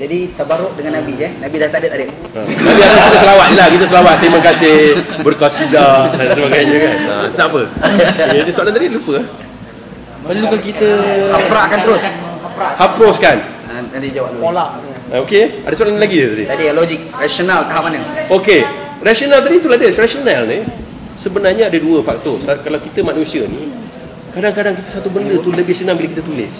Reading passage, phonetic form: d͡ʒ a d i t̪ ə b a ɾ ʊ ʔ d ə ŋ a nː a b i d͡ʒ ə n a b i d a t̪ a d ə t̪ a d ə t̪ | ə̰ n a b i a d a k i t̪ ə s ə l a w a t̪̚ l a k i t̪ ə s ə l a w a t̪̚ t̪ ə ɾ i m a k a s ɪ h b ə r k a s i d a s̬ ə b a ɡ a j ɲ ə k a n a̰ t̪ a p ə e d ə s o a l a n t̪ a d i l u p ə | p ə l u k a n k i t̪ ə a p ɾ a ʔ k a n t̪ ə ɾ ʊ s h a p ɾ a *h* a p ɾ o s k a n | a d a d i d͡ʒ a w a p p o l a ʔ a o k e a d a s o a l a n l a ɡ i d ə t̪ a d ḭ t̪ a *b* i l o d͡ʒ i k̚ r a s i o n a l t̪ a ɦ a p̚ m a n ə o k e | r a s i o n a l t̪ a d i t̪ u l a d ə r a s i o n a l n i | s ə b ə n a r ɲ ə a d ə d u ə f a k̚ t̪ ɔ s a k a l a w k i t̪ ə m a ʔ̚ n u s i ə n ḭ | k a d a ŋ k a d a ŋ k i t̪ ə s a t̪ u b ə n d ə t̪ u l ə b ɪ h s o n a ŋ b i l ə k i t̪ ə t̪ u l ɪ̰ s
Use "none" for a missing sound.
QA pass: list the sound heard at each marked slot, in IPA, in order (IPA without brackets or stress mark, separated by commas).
h, d